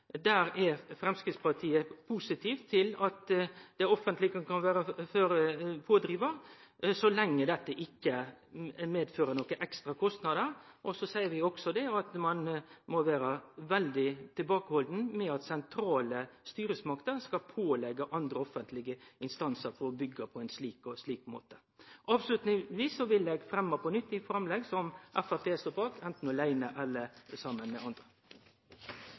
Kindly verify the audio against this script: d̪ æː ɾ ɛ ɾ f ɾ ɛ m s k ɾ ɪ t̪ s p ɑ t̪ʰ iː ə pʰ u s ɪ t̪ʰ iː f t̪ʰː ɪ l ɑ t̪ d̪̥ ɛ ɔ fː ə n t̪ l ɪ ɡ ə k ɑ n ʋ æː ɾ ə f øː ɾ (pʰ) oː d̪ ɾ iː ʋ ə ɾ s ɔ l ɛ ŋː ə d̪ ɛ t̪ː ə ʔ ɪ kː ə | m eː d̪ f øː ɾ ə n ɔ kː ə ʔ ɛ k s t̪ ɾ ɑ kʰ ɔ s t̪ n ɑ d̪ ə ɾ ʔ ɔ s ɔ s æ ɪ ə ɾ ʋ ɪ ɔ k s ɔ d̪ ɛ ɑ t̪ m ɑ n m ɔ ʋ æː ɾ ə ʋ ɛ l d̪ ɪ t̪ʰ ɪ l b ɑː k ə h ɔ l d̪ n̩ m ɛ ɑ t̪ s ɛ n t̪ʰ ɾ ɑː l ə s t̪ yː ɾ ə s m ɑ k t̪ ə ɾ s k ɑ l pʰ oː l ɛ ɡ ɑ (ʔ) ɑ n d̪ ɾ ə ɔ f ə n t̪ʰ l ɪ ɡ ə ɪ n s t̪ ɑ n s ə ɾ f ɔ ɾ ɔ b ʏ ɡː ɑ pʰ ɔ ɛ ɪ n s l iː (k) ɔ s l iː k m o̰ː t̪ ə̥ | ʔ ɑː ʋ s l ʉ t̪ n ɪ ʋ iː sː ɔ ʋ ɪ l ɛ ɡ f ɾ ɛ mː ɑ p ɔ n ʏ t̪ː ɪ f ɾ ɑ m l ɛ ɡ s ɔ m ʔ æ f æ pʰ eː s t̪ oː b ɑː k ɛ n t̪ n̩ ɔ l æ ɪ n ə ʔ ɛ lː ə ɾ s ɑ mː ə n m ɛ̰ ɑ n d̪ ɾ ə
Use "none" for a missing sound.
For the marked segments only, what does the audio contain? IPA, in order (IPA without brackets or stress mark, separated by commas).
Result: pʰ, ʔ, k